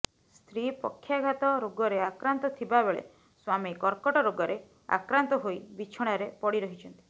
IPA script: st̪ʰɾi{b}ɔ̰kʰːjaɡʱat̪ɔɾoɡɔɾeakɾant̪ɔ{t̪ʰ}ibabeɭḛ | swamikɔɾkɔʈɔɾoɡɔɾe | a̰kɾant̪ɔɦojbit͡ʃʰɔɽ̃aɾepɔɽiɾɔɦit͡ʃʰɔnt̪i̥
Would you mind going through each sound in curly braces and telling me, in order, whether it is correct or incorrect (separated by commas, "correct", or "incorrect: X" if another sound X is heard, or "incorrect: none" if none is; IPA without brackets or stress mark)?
incorrect: p, correct